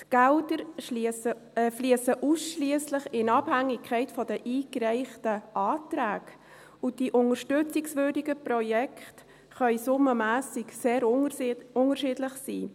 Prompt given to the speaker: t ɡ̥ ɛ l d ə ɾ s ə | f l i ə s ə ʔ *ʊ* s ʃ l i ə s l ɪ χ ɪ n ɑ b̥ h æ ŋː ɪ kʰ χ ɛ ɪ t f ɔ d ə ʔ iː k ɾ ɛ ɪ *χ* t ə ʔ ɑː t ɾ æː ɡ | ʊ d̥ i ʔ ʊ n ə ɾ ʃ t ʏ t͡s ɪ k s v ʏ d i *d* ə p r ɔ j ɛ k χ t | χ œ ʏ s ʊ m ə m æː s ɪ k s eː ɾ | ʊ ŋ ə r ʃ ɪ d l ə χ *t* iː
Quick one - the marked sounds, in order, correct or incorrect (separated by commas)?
incorrect, correct, incorrect, incorrect